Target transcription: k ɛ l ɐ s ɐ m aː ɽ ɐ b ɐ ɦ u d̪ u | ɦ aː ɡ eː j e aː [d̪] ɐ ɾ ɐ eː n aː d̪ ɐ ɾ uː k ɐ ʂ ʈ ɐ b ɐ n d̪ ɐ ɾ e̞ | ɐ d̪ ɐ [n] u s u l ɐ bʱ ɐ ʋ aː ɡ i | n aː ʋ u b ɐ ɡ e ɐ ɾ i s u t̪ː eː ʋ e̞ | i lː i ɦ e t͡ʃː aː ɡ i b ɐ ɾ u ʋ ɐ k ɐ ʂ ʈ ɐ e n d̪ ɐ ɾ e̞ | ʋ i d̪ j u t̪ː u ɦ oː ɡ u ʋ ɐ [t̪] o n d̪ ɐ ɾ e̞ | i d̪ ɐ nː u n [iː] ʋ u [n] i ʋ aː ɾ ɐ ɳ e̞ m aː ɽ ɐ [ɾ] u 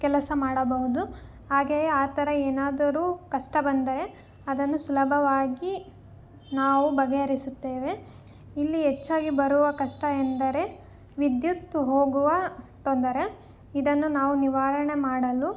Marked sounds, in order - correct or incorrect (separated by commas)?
incorrect, incorrect, correct, incorrect, correct, incorrect